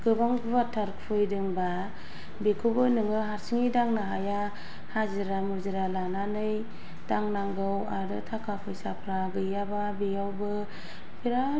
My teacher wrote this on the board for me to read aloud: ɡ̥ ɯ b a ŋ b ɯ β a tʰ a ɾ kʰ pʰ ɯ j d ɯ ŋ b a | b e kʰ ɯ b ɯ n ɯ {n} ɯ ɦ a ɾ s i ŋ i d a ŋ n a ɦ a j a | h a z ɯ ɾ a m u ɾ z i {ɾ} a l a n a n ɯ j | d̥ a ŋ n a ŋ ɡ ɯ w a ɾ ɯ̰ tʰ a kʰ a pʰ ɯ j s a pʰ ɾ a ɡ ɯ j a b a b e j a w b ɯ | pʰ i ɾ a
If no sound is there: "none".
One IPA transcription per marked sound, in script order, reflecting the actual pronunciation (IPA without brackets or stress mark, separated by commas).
ŋ, ɾ